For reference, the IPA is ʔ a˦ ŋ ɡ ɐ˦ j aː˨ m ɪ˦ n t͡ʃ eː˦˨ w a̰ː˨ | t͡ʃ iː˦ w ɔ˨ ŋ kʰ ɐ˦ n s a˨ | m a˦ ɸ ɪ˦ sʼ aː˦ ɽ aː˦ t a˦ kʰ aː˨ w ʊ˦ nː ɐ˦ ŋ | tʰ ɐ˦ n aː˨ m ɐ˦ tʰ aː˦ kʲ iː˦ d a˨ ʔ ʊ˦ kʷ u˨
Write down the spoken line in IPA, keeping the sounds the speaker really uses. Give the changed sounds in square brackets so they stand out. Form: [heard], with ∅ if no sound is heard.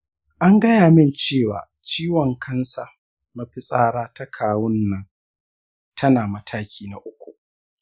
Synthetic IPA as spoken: ʔ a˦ ŋ ɡ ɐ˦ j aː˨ m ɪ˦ n t͡ʃ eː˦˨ w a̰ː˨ | t͡ʃ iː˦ w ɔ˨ ŋ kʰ ɐ˦ n s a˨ | m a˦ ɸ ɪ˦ sʼ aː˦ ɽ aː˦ t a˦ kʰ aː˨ w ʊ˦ nː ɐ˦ ŋ | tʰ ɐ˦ n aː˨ m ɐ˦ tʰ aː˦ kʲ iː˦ [n] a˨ ʔ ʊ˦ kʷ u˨

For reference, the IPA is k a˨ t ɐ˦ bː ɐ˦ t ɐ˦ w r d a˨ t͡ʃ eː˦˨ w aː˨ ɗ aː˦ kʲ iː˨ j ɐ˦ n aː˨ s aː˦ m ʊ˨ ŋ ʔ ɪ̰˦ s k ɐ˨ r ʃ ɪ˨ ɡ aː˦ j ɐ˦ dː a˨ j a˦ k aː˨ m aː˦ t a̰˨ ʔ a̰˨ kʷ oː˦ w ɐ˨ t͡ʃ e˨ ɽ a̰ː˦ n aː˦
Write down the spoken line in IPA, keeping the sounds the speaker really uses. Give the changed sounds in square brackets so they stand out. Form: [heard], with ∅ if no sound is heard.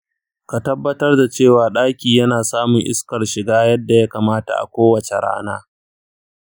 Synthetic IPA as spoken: k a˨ t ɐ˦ bː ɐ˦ t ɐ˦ [∅] r d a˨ t͡ʃ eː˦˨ w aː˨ ɗ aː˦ kʲ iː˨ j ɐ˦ n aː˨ s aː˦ m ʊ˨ ŋ ʔ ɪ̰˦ s k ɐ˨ r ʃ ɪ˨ ɡ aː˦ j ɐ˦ dː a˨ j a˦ k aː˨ m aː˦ t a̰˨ ʔ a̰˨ kʷ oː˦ w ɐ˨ t͡ʃ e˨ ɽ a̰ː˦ n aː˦

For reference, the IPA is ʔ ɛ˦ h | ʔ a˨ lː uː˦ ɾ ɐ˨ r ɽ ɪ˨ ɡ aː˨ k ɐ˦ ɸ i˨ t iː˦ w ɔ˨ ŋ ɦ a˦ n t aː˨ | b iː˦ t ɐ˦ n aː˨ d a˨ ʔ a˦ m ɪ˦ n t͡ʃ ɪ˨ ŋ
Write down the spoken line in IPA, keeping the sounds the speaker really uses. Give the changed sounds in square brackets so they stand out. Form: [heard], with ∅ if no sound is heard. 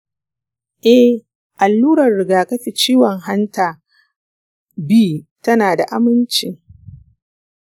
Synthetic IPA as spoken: ʔ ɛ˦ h | ʔ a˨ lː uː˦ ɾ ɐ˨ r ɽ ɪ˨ ɡ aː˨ k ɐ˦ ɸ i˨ [t͡ʃ] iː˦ w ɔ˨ ŋ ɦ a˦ n t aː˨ | b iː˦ t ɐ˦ n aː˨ d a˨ ʔ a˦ m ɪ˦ n t͡ʃ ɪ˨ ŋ

